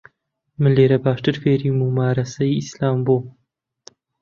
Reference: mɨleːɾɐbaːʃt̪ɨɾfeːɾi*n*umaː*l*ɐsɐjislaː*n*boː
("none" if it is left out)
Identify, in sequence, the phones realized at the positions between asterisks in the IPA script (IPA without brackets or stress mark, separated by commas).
m, ɾ, m